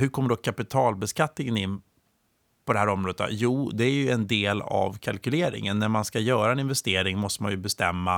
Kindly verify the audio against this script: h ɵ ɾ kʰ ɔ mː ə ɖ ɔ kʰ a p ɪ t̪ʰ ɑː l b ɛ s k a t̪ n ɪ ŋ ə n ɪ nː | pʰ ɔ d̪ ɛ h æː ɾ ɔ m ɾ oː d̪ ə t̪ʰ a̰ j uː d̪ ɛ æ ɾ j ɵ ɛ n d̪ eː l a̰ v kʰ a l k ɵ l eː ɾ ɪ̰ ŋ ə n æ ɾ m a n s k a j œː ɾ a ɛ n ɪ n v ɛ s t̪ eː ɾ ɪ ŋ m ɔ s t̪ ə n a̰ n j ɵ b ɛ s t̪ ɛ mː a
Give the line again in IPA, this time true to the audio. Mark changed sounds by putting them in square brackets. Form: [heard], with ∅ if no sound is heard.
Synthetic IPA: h ɵ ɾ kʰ ɔ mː ə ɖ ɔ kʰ a p ɪ t̪ʰ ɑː l b ɛ s k a t̪ n ɪ ŋ ə n ɪ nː | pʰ ɔ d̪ ɛ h æː ɾ ɔ m ɾ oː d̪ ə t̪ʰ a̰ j uː d̪ ɛ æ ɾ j ɵ ɛ n d̪ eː l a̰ v kʰ a l k ɵ l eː ɾ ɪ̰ ŋ ə [nː] æ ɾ m a n s k a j œː ɾ a ɛ n ɪ n v ɛ s t̪ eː ɾ ɪ ŋ m ɔ s t̪ ə [m] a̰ n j ɵ b ɛ s t̪ ɛ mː a